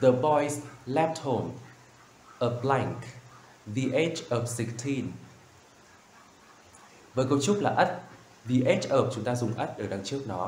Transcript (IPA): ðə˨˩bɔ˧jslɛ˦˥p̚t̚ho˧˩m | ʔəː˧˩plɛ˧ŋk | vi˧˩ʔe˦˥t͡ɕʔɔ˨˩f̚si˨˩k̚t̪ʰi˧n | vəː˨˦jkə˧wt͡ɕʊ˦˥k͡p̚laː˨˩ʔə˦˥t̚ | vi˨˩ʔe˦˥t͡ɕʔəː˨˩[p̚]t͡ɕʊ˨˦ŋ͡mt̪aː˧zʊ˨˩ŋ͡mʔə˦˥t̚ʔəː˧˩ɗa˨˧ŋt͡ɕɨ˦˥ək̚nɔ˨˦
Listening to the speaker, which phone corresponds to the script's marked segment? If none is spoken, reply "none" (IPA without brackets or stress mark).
p̚